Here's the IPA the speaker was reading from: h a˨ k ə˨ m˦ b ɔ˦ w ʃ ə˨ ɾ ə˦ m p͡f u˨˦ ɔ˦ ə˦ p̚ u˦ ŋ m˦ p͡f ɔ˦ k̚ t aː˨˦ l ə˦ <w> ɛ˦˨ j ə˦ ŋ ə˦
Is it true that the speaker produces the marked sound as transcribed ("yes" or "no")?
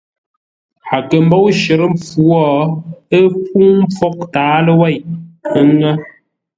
yes